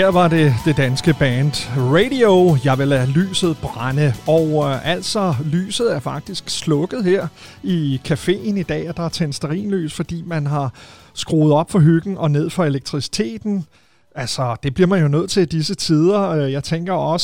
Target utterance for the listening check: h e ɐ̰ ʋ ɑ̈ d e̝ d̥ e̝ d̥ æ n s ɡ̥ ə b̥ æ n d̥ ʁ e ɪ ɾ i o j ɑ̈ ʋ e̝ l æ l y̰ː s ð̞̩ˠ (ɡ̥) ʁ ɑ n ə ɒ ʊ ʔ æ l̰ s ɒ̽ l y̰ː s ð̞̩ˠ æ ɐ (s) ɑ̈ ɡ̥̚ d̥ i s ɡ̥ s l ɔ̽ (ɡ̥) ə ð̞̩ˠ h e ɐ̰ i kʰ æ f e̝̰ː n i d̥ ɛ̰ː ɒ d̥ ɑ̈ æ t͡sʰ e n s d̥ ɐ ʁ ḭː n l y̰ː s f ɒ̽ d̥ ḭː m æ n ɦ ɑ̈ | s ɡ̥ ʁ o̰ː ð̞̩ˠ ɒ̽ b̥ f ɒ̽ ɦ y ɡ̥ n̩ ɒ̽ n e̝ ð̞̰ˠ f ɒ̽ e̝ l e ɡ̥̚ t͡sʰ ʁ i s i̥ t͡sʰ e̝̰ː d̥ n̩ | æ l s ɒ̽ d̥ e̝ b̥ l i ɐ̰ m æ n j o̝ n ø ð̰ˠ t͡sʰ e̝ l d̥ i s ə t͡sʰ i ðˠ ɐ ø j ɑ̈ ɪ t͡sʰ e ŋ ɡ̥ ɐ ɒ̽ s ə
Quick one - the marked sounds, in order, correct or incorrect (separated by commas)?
incorrect, incorrect, correct